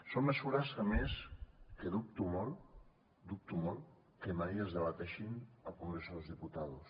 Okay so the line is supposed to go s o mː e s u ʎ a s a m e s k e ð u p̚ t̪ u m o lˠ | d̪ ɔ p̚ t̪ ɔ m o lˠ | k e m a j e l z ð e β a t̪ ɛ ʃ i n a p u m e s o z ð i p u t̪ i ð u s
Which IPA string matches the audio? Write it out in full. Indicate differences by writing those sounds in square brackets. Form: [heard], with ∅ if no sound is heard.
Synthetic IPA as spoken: s o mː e s u [ɾ] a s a m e s k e ð u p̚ t̪ u m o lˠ | d̪ [u] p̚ t̪ [u] m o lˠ | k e m a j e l z ð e β a t̪ ɛ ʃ i n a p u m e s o z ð i p u t̪ [a] ð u s